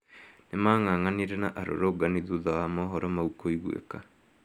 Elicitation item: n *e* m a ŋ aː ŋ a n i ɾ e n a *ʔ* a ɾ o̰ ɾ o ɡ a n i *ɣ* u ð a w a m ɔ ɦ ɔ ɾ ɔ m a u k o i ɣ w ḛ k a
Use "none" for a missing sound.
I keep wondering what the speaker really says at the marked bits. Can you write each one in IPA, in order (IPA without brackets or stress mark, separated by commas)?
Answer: e, ʔ, ð